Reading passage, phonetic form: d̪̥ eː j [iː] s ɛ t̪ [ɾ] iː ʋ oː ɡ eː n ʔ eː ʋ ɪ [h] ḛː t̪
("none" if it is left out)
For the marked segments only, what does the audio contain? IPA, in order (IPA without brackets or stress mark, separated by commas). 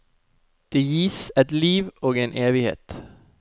iː, l, h